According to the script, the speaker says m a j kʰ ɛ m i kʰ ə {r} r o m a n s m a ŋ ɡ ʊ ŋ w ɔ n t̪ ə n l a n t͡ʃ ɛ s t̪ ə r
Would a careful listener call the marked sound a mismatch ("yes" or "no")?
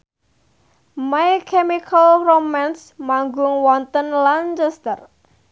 yes